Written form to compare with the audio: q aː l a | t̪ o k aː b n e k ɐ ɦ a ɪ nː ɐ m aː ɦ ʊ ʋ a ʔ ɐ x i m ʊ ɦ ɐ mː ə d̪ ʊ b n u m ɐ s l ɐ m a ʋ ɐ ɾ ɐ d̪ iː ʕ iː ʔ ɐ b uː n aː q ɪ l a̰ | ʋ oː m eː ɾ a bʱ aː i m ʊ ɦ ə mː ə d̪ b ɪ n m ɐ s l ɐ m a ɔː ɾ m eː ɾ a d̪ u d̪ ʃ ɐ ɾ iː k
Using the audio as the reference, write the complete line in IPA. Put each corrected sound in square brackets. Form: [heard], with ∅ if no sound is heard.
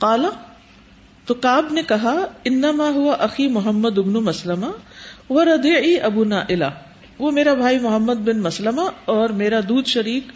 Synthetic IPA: q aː l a | t̪ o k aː b n e k ɐ ɦ a ɪ nː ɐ m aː ɦ ʊ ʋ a ʔ ɐ x i m ʊ ɦ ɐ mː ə d̪ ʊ b n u m ɐ s l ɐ m a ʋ ɐ ɾ ɐ d̪ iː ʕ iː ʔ ɐ b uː n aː [ʔ] ɪ l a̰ | ʋ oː m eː ɾ a bʱ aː i m ʊ ɦ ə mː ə d̪ b ɪ n m ɐ s l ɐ m a ɔː ɾ m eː ɾ a d̪ [uː] d̪ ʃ ɐ ɾ iː k